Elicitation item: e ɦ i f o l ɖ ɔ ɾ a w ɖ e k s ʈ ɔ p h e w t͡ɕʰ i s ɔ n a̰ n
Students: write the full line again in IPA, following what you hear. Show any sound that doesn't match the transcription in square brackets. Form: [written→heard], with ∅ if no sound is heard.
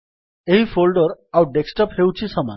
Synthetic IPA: e ɦ i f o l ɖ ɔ ɾ a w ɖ e k s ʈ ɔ p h e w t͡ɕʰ i s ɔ [n→m] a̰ n